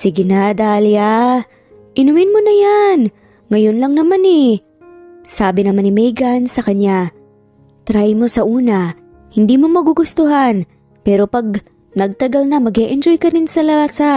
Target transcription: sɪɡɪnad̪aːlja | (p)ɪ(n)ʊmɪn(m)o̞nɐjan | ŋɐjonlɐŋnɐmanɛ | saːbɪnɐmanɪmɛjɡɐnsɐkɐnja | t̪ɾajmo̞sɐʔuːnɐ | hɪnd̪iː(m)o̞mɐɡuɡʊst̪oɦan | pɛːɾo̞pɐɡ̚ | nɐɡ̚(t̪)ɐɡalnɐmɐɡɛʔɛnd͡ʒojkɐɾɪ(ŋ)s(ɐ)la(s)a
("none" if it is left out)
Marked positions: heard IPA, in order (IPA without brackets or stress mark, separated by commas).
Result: ʔ, n, m, m, t̪, n, ɐ, s